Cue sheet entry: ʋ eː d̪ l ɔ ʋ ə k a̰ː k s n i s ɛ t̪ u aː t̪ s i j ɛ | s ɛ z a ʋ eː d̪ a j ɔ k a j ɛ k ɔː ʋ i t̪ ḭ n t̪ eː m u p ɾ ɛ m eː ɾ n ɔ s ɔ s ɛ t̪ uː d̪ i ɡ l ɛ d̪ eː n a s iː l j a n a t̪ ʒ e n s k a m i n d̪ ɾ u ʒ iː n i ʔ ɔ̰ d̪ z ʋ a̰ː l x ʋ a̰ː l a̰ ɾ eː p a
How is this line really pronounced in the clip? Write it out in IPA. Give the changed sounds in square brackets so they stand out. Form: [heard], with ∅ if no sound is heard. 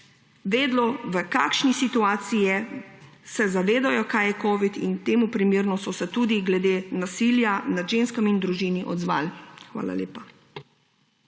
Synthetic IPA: ʋ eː d̪ l ɔ ʋ ə k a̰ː k [ʃ] n i s [i] t̪ u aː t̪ s i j ɛ | s ɛ z a ʋ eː d̪ a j ɔ k a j ɛ k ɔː ʋ i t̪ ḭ n t̪ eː m u p ɾ [i] m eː ɾ n ɔ s ɔ s ɛ t̪ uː d̪ i ɡ l ɛ d̪ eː n a s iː l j a n a [d̪] ʒ e n s k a m i n d̪ ɾ u ʒ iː n i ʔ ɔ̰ d̪ z ʋ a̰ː l x ʋ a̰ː l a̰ [l] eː p a